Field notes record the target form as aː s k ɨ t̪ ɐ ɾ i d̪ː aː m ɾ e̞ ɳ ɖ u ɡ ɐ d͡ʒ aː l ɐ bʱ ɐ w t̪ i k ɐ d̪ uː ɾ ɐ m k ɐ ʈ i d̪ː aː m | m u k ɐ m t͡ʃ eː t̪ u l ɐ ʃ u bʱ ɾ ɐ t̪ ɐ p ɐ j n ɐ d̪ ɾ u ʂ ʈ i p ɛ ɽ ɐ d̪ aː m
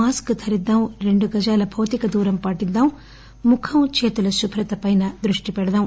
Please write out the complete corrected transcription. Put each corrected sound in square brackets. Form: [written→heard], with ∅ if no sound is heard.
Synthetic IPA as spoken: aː s k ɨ [t̪→t̪ʰ] ɐ ɾ i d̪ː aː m ɾ e̞ ɳ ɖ u ɡ ɐ d͡ʒ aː l ɐ bʱ ɐ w t̪ i k ɐ d̪ uː ɾ ɐ m [k→p] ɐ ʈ i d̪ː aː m | m u [k→kʰ] ɐ m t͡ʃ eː t̪ u l ɐ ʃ u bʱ ɾ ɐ t̪ ɐ p ɐ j n ɐ d̪ ɾ u ʂ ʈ i p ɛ ɽ ɐ d̪ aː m